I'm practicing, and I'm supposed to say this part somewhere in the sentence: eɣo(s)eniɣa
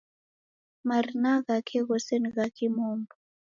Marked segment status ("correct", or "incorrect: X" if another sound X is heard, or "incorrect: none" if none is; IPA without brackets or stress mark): correct